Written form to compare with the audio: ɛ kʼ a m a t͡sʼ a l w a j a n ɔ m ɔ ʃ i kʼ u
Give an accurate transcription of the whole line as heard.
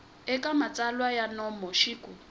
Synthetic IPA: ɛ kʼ a m a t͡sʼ a l w a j a n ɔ m ɔ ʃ i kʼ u